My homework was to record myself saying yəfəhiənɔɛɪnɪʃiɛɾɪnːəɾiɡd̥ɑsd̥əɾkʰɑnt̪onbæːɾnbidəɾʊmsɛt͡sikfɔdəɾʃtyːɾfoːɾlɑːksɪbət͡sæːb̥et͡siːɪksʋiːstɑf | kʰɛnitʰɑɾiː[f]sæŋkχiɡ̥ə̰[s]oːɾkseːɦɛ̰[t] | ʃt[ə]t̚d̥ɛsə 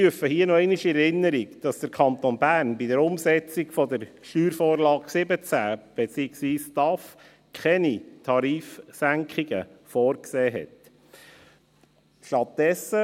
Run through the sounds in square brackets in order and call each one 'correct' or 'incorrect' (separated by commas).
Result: correct, incorrect, correct, incorrect